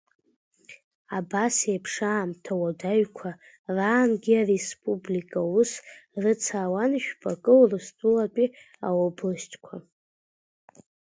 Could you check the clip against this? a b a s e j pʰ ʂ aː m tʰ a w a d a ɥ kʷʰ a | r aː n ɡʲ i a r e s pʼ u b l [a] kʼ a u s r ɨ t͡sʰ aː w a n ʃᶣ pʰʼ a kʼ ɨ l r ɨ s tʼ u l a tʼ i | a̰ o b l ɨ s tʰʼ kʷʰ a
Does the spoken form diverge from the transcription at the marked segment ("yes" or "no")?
yes